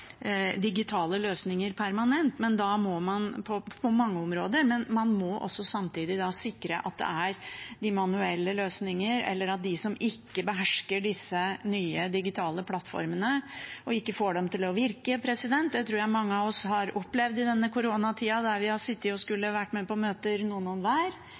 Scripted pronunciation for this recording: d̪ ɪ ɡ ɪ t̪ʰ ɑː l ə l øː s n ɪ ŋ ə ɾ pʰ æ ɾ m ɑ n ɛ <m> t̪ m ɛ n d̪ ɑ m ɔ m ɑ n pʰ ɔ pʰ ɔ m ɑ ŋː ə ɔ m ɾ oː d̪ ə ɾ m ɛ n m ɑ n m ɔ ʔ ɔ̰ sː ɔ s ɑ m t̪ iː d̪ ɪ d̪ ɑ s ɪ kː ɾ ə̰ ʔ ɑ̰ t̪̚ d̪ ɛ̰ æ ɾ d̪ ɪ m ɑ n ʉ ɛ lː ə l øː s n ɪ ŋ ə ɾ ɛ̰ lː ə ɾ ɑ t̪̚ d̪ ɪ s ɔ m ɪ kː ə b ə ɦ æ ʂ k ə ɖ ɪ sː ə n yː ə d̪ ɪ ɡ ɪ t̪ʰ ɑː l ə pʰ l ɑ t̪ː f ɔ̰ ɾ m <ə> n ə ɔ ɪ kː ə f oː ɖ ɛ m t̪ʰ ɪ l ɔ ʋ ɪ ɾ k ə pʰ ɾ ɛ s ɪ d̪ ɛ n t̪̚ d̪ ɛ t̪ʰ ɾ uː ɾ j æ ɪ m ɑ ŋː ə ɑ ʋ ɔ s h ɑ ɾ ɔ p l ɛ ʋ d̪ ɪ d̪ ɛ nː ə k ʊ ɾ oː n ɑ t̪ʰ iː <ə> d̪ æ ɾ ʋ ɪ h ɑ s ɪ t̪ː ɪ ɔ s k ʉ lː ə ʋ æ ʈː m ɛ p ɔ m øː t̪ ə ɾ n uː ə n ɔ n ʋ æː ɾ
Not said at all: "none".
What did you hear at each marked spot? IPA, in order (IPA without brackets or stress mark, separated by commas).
n, ə, ɑ